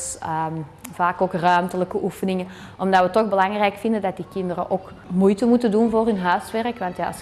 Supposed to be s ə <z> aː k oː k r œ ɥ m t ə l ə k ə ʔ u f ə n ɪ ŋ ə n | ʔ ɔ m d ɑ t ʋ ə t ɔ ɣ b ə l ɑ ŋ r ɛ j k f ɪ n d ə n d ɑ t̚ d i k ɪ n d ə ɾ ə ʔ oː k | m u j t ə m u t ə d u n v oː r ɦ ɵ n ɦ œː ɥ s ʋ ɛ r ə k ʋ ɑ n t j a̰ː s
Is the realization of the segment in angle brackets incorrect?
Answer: yes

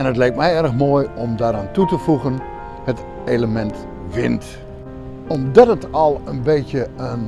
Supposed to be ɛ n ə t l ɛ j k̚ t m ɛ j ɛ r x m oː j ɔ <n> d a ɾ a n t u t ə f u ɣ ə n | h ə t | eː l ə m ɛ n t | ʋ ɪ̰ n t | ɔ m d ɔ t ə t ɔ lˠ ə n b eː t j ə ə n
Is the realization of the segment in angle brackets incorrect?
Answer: yes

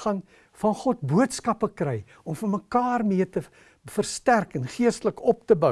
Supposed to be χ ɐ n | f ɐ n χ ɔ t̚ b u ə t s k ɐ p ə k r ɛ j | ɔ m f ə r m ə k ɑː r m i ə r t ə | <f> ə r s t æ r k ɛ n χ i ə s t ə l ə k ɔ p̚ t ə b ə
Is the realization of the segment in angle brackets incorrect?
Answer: no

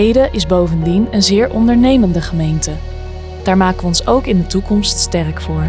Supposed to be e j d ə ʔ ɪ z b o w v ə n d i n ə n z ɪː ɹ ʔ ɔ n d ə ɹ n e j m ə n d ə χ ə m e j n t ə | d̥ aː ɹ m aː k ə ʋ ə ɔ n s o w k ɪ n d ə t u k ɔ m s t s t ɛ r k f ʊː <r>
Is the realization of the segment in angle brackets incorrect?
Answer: yes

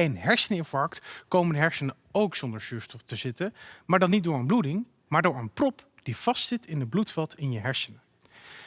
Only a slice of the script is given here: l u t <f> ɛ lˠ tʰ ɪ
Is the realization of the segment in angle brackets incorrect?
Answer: no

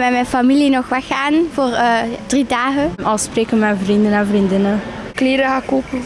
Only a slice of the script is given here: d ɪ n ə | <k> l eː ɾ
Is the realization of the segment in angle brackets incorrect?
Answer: no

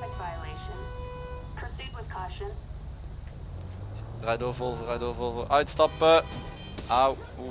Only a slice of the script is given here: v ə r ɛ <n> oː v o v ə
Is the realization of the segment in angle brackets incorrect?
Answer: yes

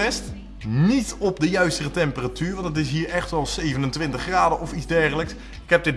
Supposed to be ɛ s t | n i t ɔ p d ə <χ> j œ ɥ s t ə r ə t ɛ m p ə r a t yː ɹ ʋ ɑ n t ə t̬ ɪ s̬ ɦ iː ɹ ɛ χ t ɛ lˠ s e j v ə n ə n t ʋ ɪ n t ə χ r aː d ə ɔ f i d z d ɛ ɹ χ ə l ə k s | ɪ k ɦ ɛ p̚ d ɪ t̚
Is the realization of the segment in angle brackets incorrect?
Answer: yes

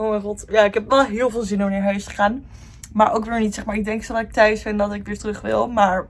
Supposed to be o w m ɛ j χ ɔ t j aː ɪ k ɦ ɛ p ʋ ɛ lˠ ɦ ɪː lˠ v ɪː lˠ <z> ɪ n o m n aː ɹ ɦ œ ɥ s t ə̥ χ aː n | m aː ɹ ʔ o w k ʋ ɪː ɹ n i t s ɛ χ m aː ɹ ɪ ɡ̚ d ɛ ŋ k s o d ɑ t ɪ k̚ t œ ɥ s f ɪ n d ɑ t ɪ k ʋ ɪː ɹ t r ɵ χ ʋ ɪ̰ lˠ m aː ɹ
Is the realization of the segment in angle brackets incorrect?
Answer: no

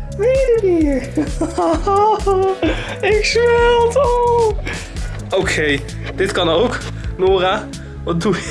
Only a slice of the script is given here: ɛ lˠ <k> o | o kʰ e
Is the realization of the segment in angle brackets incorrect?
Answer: yes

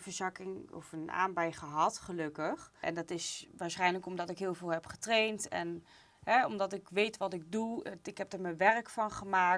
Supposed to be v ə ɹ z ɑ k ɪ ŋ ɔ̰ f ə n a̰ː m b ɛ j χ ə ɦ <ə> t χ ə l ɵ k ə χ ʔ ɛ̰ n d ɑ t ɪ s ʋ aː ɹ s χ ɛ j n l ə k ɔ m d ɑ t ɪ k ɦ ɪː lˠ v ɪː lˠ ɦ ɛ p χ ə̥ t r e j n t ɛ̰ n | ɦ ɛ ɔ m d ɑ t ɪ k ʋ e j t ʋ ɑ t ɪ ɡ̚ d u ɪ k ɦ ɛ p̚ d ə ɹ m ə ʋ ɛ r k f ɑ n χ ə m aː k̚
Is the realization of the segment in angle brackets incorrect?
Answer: yes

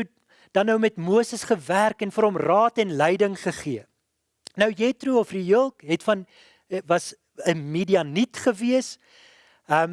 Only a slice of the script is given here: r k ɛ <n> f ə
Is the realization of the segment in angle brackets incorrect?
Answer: no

